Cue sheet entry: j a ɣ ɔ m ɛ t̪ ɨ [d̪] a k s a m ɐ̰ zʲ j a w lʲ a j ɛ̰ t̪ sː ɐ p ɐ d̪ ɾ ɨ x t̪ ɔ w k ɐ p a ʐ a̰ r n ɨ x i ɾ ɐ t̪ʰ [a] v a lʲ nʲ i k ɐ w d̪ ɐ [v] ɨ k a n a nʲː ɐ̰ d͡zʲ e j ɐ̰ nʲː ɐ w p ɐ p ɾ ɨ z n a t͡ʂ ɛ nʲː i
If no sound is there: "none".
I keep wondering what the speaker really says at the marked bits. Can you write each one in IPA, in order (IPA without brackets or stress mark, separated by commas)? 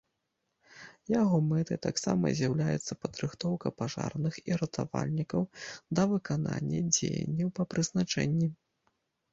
t̪, a, v